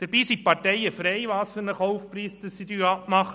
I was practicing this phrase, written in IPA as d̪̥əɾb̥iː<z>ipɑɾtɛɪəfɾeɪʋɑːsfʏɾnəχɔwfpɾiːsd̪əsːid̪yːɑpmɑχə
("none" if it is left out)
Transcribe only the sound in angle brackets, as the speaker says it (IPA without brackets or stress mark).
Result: s